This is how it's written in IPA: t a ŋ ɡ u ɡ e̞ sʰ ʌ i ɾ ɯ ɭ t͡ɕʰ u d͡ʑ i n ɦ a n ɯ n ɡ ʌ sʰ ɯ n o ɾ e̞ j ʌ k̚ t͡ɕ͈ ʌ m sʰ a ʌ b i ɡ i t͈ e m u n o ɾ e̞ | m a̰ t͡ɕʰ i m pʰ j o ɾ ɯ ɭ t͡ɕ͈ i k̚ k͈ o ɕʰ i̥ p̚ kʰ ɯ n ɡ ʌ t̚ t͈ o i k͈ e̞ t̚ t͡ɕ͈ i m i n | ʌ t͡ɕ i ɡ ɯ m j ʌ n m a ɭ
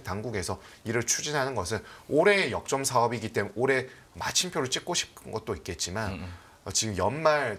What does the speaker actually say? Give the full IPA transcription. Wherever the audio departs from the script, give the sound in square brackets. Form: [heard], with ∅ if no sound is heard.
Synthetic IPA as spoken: t a ŋ ɡ u ɡ e̞ sʰ ʌ i ɾ ɯ ɭ t͡ɕʰ u d͡ʑ i n ɦ a n ɯ n ɡ ʌ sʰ ɯ n o ɾ e̞ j ʌ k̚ t͡ɕ͈ ʌ m sʰ a ʌ b i ɡ i t͈ e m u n o ɾ e̞ | m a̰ t͡ɕʰ i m pʰ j o ɾ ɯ ɭ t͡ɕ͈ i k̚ k͈ o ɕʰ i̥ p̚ kʰ ɯ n ɡ ʌ t̚ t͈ o i k͈ e̞ t̚ t͡ɕ͈ i m [a] n | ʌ t͡ɕ i ɡ ɯ m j ʌ n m a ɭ